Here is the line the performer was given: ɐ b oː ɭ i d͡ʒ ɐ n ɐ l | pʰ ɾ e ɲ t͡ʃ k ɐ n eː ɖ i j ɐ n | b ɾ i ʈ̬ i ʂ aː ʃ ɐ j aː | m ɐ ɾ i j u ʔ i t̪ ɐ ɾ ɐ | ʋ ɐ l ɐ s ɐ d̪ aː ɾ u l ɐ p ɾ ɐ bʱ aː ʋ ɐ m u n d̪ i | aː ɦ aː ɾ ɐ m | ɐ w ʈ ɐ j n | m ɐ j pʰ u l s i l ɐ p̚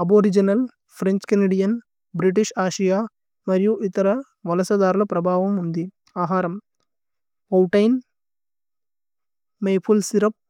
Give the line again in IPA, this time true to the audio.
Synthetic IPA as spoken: ɐ b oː ɾ i d͡ʒ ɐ n ɐ l | pʰ ɾ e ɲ t͡ʃ k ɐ n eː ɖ i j ɐ n | b ɾ i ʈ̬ i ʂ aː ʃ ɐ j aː | m ɐ ɾ i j u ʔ i t̪ ɐ ɾ ɐ | ʋ ɐ l ɐ s ɐ d̪ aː ɾ u l ɐ p ɾ ɐ bʱ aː ʋ ɐ m u n d̪ i | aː ɦ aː ɾ ɐ m | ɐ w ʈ ɐ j n | m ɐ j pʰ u l s i ɾ ɐ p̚